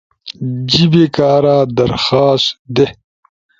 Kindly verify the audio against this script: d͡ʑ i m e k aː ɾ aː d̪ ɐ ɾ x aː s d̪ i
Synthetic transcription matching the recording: d͡ʑ i b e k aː ɾ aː d̪ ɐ ɾ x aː s d̪ e